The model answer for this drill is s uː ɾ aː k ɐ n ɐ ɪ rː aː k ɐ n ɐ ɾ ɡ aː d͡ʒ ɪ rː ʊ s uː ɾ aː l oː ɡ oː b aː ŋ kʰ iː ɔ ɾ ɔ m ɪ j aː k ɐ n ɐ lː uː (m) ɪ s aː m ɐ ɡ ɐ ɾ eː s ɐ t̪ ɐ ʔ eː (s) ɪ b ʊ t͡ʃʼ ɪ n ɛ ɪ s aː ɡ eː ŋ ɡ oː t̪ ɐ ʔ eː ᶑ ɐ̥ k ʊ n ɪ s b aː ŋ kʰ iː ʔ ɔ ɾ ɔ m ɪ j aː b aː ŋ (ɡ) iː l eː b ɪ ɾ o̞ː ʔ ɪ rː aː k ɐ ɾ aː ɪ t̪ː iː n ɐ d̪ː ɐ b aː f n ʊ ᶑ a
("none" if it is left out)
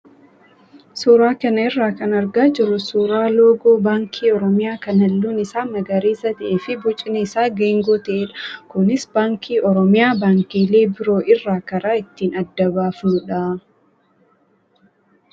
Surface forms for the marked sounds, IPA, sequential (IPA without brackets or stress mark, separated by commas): n, f, k